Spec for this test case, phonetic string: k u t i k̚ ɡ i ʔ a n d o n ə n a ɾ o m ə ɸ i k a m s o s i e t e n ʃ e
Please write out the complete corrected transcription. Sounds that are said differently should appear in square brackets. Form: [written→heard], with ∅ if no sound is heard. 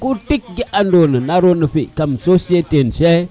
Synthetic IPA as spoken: k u t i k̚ ɡ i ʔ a n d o n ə n a ɾ o [m→n] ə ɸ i k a m s o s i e t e n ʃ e